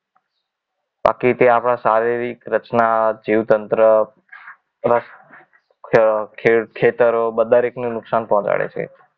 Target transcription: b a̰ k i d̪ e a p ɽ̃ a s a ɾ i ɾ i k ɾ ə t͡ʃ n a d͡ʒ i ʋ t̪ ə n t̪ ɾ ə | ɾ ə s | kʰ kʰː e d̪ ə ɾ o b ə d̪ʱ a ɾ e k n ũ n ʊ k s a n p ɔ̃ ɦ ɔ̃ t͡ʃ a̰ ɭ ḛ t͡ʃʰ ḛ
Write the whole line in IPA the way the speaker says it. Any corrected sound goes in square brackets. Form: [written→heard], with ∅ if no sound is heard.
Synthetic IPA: b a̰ k i [d̪→t̪] e a p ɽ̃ a s a ɾ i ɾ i k ɾ ə t͡ʃ n a d͡ʒ i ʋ t̪ ə n t̪ ɾ ə | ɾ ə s | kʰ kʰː e [d̪→t̪] ə ɾ o b ə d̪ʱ a ɾ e k n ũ n ʊ k s a n p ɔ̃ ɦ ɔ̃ t͡ʃ a̰ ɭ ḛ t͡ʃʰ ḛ